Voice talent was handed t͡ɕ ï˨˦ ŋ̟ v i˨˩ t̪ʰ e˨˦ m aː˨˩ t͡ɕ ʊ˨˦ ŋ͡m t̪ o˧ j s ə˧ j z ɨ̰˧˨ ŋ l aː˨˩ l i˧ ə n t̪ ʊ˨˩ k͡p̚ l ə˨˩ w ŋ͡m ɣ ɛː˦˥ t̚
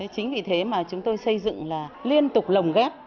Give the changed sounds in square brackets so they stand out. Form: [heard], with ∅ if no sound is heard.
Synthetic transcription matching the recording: t͡ɕ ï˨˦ ŋ̟ v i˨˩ t̪ʰ e˨˦ m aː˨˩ t͡ɕ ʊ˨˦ ŋ͡m t̪ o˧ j s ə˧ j z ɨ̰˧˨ ŋ l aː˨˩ l i˧ ə n t̪ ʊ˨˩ k͡p̚ l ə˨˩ w ŋ͡m ɣ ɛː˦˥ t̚